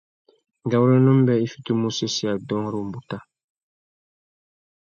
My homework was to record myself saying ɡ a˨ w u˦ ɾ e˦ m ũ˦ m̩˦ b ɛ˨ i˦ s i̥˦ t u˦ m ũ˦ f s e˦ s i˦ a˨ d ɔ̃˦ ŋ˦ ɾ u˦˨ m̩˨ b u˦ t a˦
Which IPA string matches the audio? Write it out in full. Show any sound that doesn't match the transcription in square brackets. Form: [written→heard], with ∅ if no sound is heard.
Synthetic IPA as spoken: ɡ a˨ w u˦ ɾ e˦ [m→n] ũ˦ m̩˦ b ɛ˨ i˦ [s→f] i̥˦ t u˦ m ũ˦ [f→∅] s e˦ s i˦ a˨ d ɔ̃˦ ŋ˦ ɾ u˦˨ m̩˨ b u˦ t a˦